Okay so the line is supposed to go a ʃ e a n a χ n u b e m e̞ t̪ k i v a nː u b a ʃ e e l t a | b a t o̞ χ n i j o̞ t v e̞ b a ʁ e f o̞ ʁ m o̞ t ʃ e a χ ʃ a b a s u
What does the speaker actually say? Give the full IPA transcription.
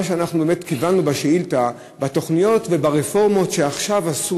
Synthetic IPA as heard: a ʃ e a n a χ n u b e m e̞ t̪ k i v a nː u b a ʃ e i l t a | b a t o̞ χ n i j o̞ t v e̞ b a ʁ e f o̞ ʁ m o̞ t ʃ e a χ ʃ a v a s u